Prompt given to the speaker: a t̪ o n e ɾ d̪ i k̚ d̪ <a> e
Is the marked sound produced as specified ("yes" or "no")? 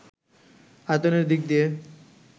no